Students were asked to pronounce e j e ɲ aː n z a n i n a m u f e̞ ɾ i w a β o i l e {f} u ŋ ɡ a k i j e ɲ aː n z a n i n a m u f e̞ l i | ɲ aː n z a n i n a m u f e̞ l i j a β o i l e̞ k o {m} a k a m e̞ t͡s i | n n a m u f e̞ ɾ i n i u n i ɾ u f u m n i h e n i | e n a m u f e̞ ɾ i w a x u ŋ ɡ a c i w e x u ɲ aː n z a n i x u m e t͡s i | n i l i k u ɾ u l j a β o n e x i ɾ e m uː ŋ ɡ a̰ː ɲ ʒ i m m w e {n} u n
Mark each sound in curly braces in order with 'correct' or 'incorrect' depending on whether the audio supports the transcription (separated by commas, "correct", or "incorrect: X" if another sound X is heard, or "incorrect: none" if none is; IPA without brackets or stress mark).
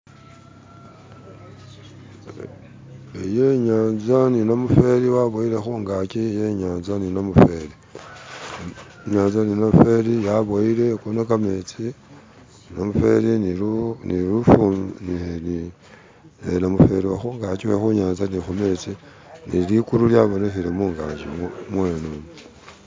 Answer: incorrect: x, incorrect: n, correct